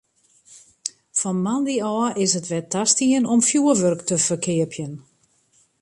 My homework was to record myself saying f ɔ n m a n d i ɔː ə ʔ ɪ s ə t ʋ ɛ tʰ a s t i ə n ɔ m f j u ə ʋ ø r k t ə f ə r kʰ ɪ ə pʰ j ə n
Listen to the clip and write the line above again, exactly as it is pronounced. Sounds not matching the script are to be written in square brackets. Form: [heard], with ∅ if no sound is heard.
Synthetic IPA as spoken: f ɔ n m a n d i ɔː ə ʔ ɪ s ə t ʋ ɛ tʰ a s t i ə n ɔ m f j u ə ʋ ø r k t ə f ə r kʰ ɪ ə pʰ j ə n